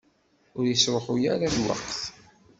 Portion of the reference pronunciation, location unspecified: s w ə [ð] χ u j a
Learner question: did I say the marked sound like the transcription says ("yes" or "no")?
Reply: no